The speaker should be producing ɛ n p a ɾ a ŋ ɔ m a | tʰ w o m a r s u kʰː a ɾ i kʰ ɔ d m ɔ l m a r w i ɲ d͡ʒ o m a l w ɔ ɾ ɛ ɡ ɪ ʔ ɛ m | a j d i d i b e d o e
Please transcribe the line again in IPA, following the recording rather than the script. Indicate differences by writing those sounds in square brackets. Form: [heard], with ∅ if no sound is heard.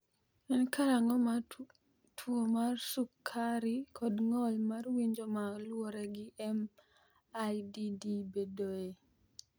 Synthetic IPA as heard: ɛ n [k] a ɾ a ŋ ɔ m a | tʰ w o m a r s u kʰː a ɾ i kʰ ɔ d [ŋ] ɔ l m a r w i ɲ d͡ʒ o m a l w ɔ ɾ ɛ ɡ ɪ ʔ ɛ m | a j d i d i b e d o e